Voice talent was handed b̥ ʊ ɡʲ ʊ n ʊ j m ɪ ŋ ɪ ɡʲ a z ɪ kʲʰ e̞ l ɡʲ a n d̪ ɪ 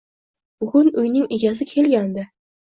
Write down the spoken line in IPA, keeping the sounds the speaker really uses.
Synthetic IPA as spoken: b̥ ʊ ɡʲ ʊ n ʊ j n ɪ ŋ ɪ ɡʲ a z ɪ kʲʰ e̞ l ɡʲ a n d̪ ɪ